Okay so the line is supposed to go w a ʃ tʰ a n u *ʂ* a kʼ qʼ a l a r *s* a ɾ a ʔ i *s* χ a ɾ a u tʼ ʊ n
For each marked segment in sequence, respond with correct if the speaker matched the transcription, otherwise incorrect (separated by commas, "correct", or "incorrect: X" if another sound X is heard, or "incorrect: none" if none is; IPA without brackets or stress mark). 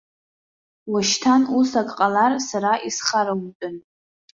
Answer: incorrect: s, correct, correct